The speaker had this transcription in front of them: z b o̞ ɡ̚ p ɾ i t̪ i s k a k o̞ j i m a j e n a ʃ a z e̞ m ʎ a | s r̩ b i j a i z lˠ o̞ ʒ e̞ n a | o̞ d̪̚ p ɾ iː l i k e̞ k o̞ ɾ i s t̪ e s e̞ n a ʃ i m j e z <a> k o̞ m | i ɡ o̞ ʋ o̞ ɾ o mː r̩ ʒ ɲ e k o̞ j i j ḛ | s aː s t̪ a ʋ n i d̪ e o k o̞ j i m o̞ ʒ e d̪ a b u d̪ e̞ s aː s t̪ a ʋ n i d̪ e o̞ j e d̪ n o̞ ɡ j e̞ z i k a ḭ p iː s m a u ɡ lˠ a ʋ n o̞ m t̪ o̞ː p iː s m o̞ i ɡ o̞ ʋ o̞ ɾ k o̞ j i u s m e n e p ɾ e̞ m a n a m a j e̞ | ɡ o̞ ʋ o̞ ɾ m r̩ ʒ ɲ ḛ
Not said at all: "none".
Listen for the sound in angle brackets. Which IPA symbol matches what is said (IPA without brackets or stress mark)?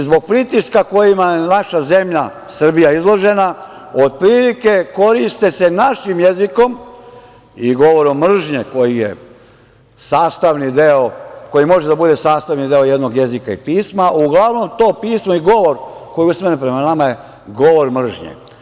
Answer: i